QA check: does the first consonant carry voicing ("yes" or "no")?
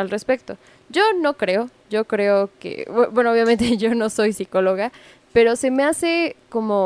yes